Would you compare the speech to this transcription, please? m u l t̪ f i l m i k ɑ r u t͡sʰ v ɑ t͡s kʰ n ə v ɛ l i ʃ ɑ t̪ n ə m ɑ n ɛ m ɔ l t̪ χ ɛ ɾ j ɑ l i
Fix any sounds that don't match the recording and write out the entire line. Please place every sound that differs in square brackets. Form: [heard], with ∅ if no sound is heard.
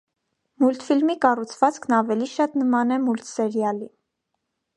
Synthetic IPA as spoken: m u l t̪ f i l m i k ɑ r u t͡sʰ v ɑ t͡s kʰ n [ɑ] v ɛ l i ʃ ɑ t̪ n ə m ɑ n ɛ m [u] l t̪ [s] ɛ ɾ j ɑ l i